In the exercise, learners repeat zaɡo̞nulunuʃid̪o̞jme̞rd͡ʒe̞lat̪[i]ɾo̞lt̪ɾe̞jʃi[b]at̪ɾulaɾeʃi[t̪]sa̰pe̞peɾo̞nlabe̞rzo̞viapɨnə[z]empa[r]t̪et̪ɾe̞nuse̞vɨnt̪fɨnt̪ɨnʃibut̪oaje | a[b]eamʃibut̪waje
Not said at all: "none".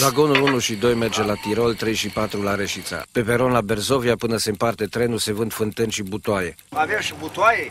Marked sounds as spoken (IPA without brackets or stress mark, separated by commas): i, p, t̪, s, r, v